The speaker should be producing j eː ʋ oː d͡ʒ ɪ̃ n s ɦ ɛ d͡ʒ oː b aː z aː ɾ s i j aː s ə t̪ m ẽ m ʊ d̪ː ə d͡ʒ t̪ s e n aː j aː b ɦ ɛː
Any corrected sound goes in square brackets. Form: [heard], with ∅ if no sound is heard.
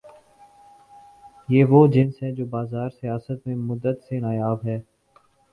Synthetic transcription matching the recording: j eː ʋ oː d͡ʒ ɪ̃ n s ɦ ɛ d͡ʒ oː b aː z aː ɾ s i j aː s ə t̪ m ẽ m ʊ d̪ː ə [∅] t̪ s e n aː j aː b ɦ ɛː